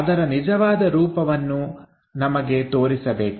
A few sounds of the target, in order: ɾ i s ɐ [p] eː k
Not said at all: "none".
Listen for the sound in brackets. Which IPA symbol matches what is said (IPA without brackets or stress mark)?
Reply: b